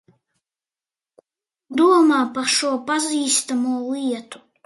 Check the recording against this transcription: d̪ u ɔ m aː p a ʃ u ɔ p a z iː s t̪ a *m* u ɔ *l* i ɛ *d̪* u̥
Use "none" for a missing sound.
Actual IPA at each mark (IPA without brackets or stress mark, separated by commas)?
m, l, t̪